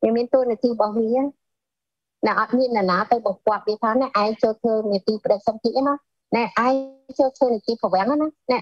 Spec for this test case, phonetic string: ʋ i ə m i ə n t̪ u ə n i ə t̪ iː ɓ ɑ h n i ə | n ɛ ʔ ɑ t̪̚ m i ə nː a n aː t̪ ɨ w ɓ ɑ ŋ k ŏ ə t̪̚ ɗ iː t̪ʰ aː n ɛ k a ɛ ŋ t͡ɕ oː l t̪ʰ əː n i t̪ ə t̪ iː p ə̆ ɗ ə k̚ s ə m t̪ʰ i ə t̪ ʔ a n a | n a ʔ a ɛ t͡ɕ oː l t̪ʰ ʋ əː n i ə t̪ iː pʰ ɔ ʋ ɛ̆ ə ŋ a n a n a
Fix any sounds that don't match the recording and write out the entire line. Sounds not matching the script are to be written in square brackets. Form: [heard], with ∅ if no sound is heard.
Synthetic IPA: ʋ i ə m i ə n t̪ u ə n i ə t̪ iː ɓ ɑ h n i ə | n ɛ ʔ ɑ t̪̚ m i ə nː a n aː t̪ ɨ w ɓ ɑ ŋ k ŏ ə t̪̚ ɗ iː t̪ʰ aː n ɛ [ʔ] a ɛ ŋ t͡ɕ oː l t̪ʰ əː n i [∅] ə t̪ iː p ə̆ ɗ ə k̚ s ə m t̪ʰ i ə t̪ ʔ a n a | n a ʔ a ɛ t͡ɕ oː l t̪ʰ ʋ əː n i ə t̪ iː pʰ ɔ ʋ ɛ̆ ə ŋ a n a n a